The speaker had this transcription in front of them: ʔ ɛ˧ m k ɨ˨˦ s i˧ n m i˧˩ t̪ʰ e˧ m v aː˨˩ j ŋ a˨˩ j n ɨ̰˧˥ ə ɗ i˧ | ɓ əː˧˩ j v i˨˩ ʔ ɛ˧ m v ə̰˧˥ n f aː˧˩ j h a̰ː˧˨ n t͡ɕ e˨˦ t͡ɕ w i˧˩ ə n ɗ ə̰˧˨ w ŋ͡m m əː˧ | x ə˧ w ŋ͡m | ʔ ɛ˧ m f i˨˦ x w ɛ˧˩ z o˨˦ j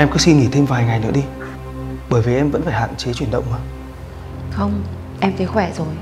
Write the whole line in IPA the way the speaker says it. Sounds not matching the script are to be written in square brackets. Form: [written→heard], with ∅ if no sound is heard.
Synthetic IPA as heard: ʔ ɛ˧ m k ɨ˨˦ s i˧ n [m→ŋ] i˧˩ t̪ʰ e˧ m v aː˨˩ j ŋ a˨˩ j n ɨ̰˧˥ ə ɗ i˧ | ɓ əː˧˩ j v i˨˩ ʔ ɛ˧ m v ə̰˧˥ n f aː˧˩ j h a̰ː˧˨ n t͡ɕ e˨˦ t͡ɕ w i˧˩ ə n ɗ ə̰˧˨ w ŋ͡m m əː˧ | x ə˧ w ŋ͡m | ʔ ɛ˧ m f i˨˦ x w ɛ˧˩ z [o˨˦→o˨˩] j